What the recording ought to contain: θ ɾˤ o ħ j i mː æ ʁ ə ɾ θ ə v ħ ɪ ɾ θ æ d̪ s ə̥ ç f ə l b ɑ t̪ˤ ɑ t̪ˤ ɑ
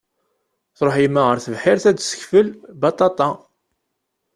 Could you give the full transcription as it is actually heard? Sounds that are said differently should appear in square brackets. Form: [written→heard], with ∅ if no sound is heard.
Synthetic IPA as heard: θ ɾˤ o ħ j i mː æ ʁ ə ɾ θ ə v ħ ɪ ɾ θ æ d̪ s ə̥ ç f ə l b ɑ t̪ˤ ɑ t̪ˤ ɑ